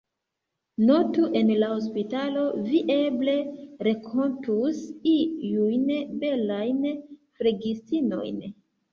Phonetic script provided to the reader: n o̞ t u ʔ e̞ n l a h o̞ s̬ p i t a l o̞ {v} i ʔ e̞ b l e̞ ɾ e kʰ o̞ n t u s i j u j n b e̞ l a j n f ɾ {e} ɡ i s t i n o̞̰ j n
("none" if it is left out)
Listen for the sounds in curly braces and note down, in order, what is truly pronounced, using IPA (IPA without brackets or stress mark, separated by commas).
v, e